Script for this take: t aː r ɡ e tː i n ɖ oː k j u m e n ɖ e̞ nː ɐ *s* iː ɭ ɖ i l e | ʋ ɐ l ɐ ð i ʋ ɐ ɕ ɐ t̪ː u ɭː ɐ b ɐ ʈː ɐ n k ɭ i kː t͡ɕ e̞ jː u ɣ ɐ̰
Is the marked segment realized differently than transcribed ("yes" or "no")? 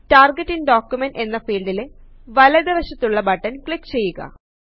yes